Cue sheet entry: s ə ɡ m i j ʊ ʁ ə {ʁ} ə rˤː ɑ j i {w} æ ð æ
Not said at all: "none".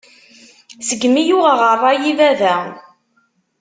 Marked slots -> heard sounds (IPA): ʁ, v

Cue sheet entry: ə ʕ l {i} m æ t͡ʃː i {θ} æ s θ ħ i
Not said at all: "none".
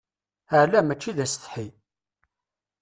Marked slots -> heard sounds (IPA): æ, ð

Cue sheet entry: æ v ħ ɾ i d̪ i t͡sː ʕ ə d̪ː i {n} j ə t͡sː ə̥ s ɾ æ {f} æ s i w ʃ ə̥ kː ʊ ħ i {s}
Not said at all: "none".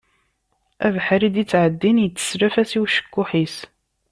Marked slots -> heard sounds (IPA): n, f, s

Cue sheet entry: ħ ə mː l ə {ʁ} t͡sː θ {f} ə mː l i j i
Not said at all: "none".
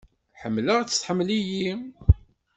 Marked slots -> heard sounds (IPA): ʁ, ħ

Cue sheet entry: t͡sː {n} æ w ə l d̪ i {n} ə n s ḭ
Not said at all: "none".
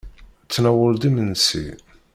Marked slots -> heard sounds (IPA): n, m

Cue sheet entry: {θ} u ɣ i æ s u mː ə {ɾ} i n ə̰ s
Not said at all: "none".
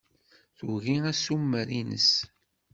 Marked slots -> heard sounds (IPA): θ, ɾ

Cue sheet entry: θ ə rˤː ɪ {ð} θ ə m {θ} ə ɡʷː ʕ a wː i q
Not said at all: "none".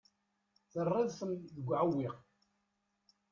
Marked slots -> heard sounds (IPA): ð, ð

